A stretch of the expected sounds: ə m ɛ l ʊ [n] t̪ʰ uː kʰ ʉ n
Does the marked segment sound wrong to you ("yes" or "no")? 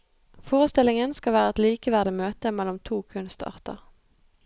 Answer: yes